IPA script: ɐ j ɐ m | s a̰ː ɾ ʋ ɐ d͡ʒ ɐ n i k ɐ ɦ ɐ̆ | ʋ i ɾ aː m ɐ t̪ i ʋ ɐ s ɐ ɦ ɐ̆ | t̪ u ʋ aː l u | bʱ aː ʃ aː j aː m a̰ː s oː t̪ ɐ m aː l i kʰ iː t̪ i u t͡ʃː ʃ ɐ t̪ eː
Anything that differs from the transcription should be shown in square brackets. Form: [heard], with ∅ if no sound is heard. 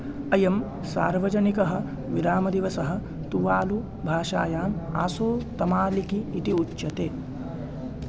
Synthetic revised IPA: ɐ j ɐ m | s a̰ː ɾ ʋ ɐ d͡ʒ ɐ n i k ɐ ɦ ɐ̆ | ʋ i ɾ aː m ɐ [d̪] i ʋ ɐ s ɐ ɦ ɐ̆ | t̪ u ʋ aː l u | bʱ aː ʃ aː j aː m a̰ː s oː t̪ ɐ m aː l i [k] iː t̪ i u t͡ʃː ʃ ɐ t̪ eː